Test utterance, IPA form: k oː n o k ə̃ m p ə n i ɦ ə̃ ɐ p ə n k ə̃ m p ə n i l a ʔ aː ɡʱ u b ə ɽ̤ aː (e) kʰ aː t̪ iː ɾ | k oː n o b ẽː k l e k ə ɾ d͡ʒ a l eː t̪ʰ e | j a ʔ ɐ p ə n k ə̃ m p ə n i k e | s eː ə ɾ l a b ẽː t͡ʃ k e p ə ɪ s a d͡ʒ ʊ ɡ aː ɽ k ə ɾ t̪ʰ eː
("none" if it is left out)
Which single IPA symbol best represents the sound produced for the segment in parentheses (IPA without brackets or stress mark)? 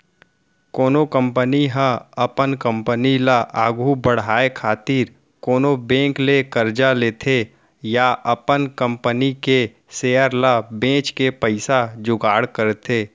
e